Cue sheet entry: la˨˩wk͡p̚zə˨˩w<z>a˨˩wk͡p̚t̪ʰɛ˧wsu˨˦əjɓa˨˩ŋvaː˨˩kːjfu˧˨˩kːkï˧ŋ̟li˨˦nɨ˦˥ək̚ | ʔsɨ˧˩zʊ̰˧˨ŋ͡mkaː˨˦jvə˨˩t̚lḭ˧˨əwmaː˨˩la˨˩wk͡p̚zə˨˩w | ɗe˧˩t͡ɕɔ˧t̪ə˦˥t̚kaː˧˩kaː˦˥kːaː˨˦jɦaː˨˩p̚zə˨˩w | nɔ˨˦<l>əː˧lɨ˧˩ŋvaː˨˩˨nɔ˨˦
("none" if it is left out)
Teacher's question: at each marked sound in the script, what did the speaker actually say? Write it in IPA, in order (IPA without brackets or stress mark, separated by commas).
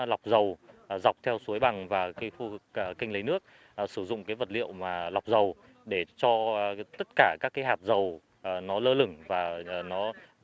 z, l